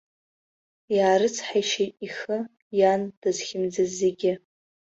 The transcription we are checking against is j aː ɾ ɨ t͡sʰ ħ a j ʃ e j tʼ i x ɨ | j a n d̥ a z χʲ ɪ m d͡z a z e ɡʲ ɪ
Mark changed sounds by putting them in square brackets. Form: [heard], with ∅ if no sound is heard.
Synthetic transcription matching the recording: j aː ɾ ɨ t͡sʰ ħ a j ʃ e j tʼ i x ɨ | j a n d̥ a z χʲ ɪ m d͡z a z e ɡʲ ɪ